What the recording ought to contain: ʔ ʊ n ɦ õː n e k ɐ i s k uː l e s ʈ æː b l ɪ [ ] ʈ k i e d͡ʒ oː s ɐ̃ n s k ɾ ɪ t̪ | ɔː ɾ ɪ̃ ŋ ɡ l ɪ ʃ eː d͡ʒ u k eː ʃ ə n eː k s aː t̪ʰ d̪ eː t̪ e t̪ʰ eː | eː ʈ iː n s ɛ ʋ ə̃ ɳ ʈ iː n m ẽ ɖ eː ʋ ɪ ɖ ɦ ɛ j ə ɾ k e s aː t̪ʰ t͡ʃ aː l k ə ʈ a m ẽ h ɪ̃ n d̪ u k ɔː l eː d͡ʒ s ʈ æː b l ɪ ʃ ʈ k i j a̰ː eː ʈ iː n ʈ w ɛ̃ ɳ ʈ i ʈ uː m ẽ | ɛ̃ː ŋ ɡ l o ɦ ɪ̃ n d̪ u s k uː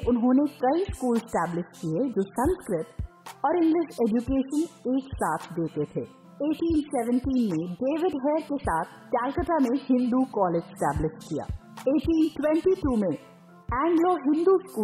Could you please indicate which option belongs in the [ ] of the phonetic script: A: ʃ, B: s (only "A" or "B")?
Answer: A